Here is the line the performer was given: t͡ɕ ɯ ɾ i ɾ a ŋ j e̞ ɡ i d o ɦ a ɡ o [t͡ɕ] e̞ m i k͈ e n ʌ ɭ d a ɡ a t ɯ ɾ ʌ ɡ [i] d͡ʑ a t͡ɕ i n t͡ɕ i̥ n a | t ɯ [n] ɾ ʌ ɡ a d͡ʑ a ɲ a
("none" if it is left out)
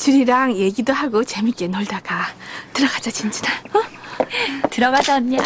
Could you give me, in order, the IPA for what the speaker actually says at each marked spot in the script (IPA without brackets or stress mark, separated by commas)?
t͡ɕ, a, none